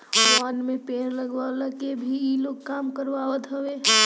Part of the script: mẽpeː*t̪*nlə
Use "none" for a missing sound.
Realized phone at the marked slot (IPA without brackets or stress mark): none